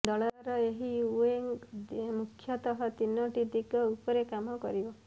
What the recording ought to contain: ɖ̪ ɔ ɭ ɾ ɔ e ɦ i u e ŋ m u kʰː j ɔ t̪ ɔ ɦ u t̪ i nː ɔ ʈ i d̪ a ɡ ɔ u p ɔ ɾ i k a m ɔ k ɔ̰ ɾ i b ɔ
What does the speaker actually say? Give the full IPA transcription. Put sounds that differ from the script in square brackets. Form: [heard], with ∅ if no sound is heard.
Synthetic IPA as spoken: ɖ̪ ɔ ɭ ɾ ɔ e ɦ i u e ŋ m u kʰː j ɔ t̪ ɔ ɦ [ɔ] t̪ i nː ɔ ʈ i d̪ [i] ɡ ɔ u p ɔ ɾ [e] k a m ɔ k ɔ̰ ɾ i b ɔ